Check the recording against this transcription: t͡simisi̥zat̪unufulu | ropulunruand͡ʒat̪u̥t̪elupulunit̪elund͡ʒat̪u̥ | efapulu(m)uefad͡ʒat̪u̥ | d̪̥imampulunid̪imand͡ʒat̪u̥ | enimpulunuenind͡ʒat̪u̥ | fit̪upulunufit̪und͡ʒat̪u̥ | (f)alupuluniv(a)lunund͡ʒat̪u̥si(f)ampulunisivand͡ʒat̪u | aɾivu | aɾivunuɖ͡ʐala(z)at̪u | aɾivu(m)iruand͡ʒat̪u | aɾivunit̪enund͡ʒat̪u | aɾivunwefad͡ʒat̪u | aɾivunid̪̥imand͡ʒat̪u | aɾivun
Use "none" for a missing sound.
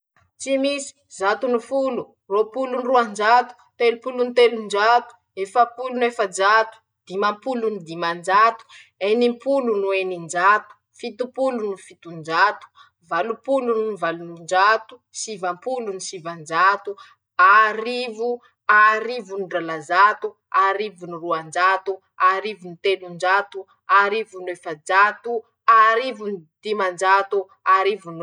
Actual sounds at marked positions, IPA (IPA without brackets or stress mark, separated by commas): n, v, a, v, z, n